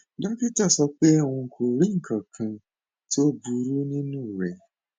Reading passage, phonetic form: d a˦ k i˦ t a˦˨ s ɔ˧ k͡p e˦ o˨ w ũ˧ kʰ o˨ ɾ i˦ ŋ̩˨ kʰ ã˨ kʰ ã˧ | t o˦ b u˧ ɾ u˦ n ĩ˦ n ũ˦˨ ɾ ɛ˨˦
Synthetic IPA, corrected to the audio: d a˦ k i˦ t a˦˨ s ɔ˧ k͡p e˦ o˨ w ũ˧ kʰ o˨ ɾ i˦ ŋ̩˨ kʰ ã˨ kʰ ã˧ | t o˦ b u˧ ɾ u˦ n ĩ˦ n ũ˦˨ ɾ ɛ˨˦